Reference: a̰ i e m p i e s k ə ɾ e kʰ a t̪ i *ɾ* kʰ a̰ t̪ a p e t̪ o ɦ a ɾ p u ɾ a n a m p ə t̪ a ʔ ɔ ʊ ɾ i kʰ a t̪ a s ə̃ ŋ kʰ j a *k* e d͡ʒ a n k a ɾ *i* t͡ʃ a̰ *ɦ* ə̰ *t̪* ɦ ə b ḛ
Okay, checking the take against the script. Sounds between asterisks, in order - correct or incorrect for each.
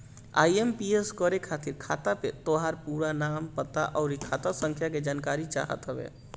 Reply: correct, correct, correct, correct, correct

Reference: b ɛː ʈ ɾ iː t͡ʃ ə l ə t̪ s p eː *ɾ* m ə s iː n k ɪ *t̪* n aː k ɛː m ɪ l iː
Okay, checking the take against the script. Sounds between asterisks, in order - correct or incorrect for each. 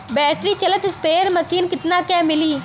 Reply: correct, correct

